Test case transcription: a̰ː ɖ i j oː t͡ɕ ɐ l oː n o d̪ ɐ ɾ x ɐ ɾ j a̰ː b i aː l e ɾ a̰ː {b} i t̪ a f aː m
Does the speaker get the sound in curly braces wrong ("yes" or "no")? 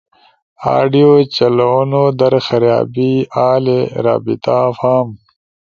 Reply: no